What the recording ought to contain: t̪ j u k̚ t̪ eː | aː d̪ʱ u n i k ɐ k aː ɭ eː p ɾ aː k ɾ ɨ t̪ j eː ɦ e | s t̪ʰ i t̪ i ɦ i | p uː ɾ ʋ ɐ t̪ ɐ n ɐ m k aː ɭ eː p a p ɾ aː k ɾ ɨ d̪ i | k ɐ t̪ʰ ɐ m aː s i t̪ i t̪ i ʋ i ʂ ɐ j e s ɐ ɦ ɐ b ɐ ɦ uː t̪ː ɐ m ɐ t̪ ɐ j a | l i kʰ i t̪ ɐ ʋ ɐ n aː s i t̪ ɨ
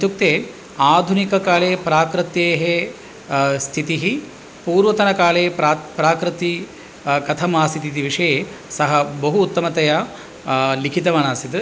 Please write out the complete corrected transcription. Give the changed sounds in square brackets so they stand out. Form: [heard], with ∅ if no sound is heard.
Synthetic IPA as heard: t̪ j u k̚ t̪ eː | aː d̪ʱ u n i k ɐ k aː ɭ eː p ɾ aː k ɾ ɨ t̪ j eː ɦ e | s t̪ʰ i t̪ i ɦ i | p uː ɾ ʋ ɐ t̪ ɐ n ɐ [∅] k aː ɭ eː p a p ɾ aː k ɾ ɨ [t̪] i | k ɐ t̪ʰ ɐ m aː s i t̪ i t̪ i ʋ i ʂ ɐ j e s ɐ ɦ ɐ b ɐ ɦ uː t̪ː ɐ m ɐ t̪ ɐ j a | l i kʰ i t̪ ɐ ʋ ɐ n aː s i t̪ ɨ